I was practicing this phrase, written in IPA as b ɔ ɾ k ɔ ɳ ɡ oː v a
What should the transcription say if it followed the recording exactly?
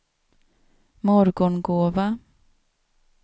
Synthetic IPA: m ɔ ɾ ɡ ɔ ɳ ɡ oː v a